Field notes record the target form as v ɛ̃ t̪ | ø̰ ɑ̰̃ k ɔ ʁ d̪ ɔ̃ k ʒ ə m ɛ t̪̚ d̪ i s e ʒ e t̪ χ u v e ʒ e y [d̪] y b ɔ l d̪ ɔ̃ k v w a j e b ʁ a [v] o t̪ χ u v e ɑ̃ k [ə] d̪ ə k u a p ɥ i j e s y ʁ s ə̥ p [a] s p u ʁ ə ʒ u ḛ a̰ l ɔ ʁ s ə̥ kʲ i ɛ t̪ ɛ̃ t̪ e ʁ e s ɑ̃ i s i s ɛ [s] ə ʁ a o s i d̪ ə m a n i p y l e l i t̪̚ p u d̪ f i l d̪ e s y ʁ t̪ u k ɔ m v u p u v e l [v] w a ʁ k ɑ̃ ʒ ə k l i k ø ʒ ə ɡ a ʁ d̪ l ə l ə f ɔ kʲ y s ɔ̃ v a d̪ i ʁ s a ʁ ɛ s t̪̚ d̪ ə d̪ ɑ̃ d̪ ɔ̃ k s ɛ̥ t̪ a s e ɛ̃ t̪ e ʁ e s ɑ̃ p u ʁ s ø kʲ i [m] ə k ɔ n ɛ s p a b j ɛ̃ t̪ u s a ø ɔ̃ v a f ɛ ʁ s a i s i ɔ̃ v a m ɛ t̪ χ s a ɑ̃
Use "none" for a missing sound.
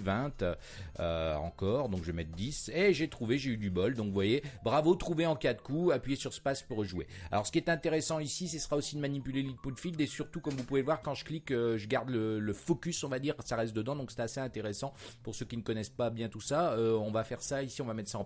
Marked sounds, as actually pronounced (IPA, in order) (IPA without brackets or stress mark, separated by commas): d̪, v, a, a, s, v, n